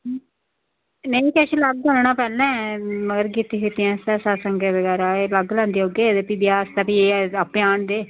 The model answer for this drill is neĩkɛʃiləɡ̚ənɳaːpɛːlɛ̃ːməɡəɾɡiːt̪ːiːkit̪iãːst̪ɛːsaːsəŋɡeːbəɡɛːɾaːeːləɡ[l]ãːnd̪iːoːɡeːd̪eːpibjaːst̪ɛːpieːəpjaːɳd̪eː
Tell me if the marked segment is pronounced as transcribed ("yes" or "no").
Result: yes